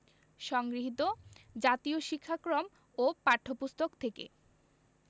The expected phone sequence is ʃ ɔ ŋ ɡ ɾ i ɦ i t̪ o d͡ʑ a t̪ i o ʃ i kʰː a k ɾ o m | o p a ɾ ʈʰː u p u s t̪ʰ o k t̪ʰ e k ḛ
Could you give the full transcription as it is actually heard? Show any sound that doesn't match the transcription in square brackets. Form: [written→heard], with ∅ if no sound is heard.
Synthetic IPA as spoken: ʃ ɔ ŋ ɡ ɾ i ɦ i t̪ o d͡ʑ a t̪ i o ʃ i kʰː a k ɾ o m | o p a ɾ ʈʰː [u→o] p u s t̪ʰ o k t̪ʰ e k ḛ